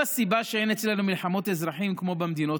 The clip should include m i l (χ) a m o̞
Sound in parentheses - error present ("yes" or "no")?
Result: yes